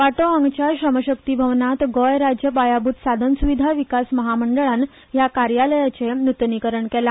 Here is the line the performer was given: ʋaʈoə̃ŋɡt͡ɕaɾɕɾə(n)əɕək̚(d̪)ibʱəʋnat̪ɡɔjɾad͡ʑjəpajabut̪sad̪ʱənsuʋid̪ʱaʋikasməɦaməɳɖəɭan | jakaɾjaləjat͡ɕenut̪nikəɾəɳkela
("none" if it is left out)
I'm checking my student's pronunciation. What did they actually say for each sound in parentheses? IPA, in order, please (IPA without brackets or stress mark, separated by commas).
m, t̪